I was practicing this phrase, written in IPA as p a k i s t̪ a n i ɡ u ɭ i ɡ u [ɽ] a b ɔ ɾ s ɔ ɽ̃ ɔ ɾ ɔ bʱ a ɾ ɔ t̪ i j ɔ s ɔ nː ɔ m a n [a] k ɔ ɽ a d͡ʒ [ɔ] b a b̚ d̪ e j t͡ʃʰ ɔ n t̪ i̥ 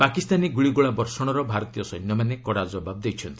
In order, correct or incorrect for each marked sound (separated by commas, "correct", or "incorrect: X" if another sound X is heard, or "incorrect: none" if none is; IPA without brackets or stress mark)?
incorrect: ɭ, incorrect: e, correct